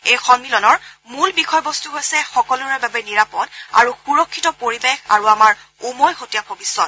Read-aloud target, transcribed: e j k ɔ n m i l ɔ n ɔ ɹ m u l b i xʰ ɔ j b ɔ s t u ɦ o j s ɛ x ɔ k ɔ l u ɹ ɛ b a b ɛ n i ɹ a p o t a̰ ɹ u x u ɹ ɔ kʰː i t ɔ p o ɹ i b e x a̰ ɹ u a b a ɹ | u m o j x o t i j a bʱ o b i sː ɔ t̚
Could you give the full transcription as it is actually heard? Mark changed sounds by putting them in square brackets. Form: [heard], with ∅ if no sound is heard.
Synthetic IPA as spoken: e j [x] ɔ n m i l ɔ n ɔ ɹ m u l b i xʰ ɔ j b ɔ s t u ɦ o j s ɛ x ɔ k ɔ l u ɹ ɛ b a b ɛ n i ɹ a p [ɔ] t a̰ ɹ u x u ɹ ɔ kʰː i t ɔ p o ɹ i b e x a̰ ɹ u a [m] a ɹ | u m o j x o t i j a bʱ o b i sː ɔ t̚